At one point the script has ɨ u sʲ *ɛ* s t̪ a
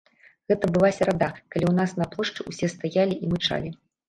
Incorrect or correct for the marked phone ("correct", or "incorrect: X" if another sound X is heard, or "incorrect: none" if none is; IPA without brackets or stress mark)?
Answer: correct